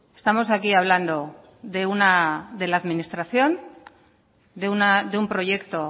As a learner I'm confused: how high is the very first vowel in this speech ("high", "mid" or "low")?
mid